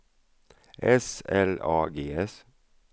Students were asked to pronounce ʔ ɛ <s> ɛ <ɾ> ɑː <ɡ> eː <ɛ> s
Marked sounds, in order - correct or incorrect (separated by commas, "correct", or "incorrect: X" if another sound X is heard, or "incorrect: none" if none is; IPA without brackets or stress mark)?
correct, incorrect: l, correct, correct